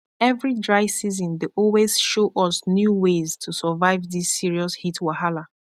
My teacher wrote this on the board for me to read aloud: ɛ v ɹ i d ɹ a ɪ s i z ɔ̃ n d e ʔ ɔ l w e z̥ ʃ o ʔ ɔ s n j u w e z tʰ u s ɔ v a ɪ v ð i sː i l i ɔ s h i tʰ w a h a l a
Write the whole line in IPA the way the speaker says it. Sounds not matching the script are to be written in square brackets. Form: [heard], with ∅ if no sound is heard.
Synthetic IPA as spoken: ɛ v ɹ i d ɹ a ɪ s i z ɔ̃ n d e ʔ ɔ l w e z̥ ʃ o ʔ ɔ s n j u w e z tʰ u s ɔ v a ɪ v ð i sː i [ɹ] i ɔ s h i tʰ w a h a l a

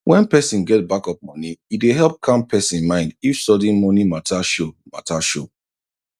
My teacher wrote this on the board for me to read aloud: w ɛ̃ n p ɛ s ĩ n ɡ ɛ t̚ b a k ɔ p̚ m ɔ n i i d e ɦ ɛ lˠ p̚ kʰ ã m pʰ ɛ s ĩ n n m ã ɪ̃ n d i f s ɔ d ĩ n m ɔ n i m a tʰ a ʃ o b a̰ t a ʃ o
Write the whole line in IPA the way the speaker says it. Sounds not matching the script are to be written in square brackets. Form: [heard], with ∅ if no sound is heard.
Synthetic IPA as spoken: w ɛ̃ n p ɛ s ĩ n ɡ ɛ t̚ b a k ɔ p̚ m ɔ n i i d e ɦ ɛ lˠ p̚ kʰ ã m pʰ ɛ s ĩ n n m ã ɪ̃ n d i f s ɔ d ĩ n m ɔ n i m a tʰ a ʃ o [m] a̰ t a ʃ o

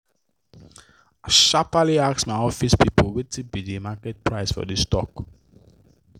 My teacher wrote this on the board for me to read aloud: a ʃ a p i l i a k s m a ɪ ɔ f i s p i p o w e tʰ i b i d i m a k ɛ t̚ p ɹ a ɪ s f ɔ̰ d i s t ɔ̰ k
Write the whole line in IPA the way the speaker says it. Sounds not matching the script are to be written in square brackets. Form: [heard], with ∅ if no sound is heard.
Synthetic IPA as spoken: a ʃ a p [a] l i a k s m a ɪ ɔ f i s p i p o w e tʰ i b i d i m a k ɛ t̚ p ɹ a ɪ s f ɔ̰ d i s t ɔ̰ k

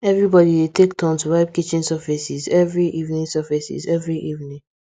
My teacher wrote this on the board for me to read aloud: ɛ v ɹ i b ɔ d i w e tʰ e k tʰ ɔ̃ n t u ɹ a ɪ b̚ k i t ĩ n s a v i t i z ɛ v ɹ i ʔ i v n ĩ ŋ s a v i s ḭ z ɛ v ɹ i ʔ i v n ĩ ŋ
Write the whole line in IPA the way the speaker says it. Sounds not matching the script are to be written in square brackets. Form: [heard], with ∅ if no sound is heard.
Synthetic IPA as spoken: ɛ v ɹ i b ɔ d i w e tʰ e k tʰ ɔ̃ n t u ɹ a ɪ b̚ k i [t͡ʃ] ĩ n s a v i [s] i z ɛ v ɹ i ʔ i v n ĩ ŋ s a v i s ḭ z ɛ v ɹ i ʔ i v n ĩ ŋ

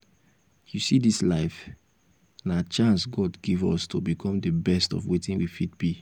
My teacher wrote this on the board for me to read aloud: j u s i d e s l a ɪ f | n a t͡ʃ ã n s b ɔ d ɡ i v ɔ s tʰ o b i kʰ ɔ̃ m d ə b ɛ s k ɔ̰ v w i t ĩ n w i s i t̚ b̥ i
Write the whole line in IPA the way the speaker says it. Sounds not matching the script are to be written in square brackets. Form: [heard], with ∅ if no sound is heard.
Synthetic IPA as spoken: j u s i d [i] s l a ɪ f | n a t͡ʃ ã n s [ɡ] ɔ d ɡ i v ɔ s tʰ o b i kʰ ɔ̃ m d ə b ɛ s [t] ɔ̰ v w [e] t ĩ n w i [f] i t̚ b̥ i

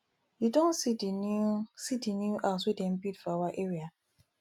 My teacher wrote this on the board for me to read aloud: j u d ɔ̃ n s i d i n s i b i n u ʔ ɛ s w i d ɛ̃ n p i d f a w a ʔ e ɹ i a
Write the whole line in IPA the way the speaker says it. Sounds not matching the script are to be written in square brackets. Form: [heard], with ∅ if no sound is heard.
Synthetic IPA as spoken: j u d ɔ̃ n s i d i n s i [d] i n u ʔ [a] s w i d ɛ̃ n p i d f a w a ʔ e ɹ i a

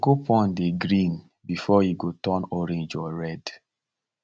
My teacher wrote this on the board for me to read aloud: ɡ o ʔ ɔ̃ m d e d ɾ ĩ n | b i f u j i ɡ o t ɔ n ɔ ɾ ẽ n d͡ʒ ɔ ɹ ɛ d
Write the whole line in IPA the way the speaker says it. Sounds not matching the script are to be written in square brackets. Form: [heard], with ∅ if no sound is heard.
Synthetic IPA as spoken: ɡ o [p] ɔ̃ [n] d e [ɡ] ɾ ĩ n | b i f [ɔ] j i ɡ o t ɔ n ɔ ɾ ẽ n d͡ʒ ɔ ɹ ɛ d

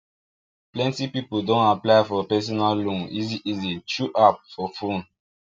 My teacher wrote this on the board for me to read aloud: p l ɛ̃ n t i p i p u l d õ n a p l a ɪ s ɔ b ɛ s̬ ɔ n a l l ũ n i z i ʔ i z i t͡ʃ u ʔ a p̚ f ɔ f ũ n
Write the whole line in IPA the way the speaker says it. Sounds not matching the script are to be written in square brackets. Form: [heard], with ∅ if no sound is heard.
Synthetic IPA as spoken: p l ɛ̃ n t i p i p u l d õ n a p l a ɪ [f] ɔ [p] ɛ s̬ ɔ n a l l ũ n i z i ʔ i z i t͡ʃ u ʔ a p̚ f ɔ f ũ n

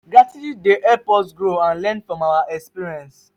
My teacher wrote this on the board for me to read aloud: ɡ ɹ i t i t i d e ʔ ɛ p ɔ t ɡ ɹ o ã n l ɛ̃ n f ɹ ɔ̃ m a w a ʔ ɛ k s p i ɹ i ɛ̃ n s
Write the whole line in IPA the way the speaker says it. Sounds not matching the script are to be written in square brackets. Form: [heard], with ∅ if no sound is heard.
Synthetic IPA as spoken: ɡ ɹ [a] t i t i d e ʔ ɛ p ɔ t ɡ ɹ o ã n l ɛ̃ n f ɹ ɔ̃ m a w a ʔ ɛ k s p i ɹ i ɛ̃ n s

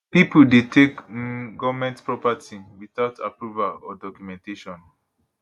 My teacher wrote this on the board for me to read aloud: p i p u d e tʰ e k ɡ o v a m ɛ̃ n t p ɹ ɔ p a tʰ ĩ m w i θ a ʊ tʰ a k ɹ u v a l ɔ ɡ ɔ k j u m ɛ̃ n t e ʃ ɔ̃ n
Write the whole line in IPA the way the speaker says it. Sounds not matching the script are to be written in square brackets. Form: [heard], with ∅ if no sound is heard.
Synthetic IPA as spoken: p i p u d e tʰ e k ɡ [ɔ] v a m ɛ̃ n t p ɹ ɔ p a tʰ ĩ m w i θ a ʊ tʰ a [p] ɹ u v a l ɔ [d] ɔ k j u m ɛ̃ n t e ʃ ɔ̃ n

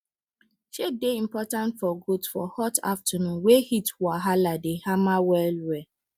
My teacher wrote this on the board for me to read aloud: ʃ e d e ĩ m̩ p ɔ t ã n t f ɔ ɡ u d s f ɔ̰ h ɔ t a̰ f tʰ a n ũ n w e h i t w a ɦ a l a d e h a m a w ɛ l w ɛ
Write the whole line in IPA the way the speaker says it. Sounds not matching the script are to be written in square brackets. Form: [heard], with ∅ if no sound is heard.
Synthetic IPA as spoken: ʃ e d e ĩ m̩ p ɔ t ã n t f ɔ ɡ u d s f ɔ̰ h ɔ t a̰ f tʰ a n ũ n w e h i t w a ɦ a l a d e h a m a w ɛ l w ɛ

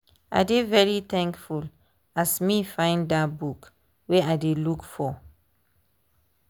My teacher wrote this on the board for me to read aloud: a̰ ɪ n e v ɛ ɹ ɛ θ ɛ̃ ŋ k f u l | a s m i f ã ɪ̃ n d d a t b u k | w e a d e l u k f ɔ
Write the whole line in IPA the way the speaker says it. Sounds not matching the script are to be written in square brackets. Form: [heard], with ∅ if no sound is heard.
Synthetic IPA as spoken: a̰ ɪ [d] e v ɛ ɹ [i] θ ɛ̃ ŋ k f u l | a s m i f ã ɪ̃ n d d a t b u k | w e a d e l u k f ɔ

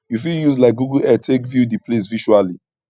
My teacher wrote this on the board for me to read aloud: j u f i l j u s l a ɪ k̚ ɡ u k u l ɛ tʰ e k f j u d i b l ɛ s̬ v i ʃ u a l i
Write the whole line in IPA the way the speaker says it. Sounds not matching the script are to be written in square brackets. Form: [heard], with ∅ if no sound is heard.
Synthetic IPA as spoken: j u f i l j u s l a ɪ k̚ ɡ u [ɡ] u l ɛ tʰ e k [v] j u d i [p] l [e] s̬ v i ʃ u a l i

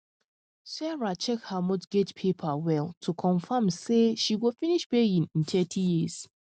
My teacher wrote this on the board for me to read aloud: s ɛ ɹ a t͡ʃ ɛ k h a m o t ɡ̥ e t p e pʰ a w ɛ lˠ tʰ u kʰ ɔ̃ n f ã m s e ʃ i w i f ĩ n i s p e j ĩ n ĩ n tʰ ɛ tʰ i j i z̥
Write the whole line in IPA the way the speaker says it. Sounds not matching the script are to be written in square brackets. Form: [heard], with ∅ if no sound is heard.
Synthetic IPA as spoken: s ɛ ɹ a t͡ʃ ɛ k h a m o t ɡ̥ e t [pʰ] e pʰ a w ɛ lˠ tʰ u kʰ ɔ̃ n f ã m s e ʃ i w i f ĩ n i [ʃ] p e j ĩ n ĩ n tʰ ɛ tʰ i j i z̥

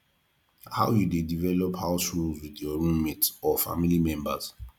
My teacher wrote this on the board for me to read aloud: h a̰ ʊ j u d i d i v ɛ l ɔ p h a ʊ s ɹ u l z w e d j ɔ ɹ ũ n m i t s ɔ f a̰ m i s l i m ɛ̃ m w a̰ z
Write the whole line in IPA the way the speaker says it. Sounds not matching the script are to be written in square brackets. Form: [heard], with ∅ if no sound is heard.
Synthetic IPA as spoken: h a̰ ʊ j u d [e] d i v ɛ l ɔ p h a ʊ s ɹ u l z w [i] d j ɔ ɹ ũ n m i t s ɔ f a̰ m i [∅] l i m ɛ̃ m [b] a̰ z

